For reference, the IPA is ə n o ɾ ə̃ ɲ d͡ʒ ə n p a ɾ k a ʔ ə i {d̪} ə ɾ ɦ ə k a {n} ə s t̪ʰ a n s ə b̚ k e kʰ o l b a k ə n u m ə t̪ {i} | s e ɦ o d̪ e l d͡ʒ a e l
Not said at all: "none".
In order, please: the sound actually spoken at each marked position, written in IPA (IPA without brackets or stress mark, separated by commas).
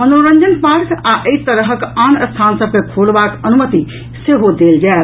t̪, n, i